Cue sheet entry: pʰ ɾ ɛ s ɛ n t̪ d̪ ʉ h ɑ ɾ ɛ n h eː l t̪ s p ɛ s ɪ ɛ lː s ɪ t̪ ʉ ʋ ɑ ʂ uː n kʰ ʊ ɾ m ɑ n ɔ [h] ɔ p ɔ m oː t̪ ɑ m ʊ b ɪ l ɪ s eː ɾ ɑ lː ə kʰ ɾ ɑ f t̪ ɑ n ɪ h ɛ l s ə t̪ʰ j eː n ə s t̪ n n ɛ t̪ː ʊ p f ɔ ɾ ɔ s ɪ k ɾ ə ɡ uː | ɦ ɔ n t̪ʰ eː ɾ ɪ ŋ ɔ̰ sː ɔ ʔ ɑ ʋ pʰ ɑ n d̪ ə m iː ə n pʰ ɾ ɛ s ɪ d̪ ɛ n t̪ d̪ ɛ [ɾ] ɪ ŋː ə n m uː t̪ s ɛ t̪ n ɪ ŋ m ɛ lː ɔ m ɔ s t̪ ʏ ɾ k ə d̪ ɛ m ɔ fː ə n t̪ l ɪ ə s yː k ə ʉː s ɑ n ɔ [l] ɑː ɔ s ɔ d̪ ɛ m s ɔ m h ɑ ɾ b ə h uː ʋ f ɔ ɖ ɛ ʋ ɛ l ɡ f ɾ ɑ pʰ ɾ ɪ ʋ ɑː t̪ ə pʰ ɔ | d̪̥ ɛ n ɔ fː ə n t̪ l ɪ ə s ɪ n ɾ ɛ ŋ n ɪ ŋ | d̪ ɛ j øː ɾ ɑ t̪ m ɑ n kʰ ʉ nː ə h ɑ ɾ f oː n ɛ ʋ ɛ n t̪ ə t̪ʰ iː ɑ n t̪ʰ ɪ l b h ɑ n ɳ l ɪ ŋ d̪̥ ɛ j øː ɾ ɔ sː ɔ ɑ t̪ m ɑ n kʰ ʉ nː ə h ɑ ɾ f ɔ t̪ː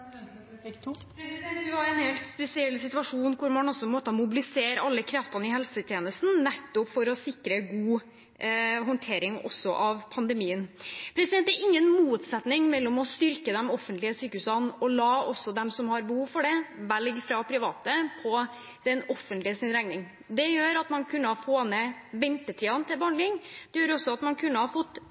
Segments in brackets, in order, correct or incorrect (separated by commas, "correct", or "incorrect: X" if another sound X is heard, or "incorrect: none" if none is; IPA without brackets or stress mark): incorrect: s, correct, correct